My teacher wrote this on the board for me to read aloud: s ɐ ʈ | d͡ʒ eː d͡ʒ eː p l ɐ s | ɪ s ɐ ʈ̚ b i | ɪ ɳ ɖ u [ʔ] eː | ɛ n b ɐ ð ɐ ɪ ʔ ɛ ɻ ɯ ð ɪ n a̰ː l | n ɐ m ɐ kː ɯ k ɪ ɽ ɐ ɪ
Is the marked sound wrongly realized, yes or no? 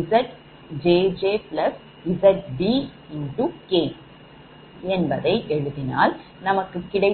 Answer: yes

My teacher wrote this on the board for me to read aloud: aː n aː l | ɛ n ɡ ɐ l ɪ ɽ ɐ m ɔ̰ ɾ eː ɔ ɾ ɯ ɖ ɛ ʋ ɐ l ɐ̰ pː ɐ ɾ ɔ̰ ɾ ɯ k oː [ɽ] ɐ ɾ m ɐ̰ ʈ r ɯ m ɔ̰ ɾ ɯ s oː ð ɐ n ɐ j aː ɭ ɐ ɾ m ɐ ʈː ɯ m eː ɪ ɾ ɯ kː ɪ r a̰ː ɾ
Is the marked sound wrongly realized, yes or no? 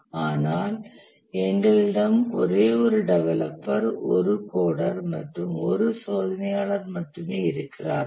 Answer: no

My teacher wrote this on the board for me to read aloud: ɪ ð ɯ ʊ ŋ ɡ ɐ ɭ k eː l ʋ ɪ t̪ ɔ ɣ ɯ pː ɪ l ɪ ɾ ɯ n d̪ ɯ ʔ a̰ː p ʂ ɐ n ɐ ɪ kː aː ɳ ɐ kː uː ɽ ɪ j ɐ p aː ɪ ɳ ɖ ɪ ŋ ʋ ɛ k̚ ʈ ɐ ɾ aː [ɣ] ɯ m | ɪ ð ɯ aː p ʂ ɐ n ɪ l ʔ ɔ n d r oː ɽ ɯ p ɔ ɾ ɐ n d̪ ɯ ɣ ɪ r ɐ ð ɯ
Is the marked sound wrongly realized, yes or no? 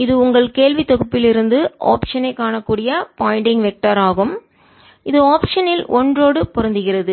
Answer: no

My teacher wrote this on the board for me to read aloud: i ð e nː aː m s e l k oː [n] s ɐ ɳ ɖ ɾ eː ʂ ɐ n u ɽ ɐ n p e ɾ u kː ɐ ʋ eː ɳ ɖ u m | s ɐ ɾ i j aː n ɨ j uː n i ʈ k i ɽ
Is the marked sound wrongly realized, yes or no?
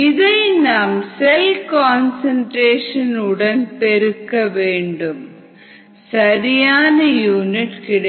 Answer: no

